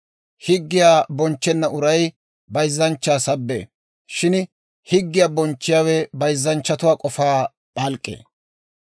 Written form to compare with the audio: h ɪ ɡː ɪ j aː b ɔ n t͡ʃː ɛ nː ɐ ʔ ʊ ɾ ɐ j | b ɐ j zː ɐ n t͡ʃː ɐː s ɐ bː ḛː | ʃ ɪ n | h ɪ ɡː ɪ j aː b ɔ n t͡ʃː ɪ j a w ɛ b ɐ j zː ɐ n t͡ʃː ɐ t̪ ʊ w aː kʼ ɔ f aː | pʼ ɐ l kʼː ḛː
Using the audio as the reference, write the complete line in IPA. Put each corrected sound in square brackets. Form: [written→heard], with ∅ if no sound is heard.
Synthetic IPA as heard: h ɪ ɡː ɪ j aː b ɔ n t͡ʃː ɛ nː ɐ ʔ ʊ ɾ ɐ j | b ɐ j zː ɐ n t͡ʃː [ɐː→aː] s ɐ bː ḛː | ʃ ɪ n | h ɪ ɡː ɪ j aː b ɔ n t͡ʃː ɪ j a w ɛ b ɐ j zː ɐ n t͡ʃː ɐ t̪ ʊ w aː kʼ ɔ f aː | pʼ ɐ l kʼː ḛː